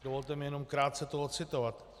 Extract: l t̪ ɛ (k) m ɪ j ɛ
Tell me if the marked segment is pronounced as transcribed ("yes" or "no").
no